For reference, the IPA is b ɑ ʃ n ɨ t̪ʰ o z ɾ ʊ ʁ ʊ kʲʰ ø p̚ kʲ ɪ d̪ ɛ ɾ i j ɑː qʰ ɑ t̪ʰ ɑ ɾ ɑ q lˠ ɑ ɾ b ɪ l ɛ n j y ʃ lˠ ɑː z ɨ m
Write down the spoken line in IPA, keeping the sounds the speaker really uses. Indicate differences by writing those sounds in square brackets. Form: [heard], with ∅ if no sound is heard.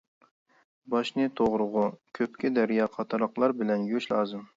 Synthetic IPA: b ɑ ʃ n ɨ t̪ʰ o [ʁ] ɾ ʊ ʁ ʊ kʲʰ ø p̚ kʲ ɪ d̪ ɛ ɾ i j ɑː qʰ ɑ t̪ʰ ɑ ɾ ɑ q lˠ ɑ ɾ b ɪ l ɛ n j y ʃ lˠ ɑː z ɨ m